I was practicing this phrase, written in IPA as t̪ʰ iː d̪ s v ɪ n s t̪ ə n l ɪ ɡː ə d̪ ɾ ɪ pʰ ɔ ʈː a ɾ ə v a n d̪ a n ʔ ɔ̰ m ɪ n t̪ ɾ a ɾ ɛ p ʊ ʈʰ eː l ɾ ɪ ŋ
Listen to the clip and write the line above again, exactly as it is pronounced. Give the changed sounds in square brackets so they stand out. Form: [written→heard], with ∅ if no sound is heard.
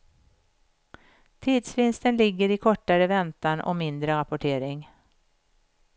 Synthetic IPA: t̪ʰ iː d̪ s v ɪ n s t̪ ə n l ɪ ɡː ə [d̪→∅] ɾ ɪ [pʰ→kʰ] ɔ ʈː a ɾ ə v [a→ɛ] n [d̪→t̪] a n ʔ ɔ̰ m ɪ n [t̪→d̪] ɾ [a→ə] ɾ [ɛ→a] p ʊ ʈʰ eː [l→∅] ɾ ɪ ŋ